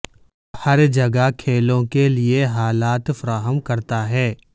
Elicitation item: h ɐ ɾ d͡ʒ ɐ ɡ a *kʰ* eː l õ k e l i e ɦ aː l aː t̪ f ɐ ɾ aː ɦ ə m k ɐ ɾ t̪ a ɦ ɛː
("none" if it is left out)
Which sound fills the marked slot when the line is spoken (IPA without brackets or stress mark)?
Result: kʰ